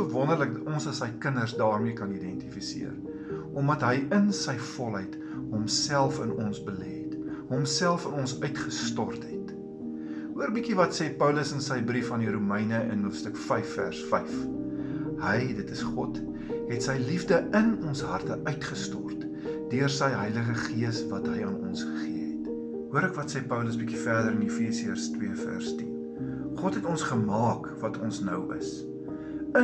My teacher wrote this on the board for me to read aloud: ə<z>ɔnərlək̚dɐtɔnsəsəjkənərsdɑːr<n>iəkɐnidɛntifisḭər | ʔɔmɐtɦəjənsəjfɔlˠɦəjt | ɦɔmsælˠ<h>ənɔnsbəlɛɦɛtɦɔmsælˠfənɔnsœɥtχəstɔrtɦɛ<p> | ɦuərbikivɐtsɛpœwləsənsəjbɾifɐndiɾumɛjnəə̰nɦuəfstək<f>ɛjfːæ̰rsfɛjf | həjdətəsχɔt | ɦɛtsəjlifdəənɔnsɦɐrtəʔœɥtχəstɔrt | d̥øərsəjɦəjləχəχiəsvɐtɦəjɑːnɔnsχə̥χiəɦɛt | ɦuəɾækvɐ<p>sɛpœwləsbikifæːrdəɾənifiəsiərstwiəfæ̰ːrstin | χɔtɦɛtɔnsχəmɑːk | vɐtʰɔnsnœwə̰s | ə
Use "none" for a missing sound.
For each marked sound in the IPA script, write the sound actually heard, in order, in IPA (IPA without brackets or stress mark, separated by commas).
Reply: v, m, f, t, f, t